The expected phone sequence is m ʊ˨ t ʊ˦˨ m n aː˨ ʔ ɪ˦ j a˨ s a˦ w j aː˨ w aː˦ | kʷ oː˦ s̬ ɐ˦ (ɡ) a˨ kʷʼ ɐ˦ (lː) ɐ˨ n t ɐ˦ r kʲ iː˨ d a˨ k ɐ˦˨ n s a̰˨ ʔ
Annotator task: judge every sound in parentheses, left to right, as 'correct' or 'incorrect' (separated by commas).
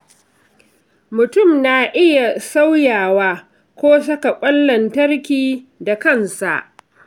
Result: incorrect, correct